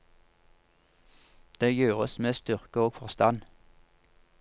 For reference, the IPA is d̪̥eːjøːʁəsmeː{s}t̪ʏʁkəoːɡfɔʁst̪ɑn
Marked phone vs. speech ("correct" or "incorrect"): correct